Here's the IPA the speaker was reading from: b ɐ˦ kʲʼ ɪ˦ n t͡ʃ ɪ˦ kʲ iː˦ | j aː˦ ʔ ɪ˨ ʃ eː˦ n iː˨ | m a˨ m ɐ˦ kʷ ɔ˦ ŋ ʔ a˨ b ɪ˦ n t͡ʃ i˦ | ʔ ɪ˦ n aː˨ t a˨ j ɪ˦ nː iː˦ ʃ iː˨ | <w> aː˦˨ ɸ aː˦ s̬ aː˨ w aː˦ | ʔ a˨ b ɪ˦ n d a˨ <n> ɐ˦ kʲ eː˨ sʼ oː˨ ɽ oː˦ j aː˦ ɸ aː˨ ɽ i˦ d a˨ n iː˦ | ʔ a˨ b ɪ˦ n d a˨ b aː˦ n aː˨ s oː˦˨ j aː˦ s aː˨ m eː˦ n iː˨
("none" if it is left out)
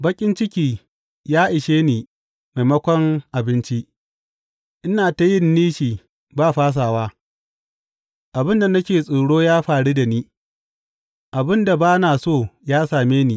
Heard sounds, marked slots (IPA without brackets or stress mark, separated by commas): b, n